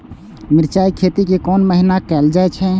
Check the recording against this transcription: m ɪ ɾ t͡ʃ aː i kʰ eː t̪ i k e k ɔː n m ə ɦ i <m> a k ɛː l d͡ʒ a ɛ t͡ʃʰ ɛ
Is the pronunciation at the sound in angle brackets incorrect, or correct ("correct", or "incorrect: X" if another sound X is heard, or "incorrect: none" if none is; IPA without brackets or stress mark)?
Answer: incorrect: n